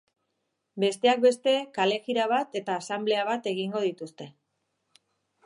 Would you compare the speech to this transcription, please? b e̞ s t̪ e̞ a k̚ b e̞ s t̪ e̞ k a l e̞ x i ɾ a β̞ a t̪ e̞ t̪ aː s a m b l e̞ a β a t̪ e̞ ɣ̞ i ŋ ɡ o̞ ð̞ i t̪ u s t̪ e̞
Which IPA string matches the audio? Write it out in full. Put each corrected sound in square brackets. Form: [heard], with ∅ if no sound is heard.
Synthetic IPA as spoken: b e̞ s t̪ e̞ a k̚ b e̞ s t̪ e̞ k a l e̞ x i ɾ a β̞ a t̪ e̞ t̪ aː s a m b l e̞ a β a t̪ e̞ ɣ̞ i ŋ ɡ o̞ ð̞ i t̪ u s t̪ e̞